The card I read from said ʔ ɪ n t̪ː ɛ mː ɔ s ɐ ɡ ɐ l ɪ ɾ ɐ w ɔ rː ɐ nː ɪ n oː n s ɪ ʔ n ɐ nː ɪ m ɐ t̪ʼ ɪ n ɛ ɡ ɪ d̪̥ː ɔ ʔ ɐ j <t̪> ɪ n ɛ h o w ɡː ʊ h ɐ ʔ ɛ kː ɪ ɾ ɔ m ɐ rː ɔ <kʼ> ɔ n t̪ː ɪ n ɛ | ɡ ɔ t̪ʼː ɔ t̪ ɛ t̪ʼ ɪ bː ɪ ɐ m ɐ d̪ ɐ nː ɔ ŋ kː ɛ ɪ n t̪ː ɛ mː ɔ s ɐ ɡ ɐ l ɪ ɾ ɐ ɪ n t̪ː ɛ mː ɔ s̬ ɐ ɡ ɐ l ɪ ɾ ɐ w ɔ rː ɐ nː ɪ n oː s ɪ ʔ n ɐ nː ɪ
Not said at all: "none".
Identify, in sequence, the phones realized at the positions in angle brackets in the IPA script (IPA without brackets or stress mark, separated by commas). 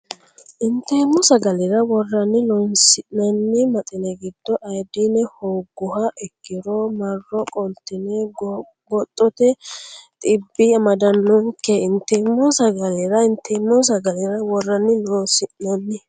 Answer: d̪, kʼ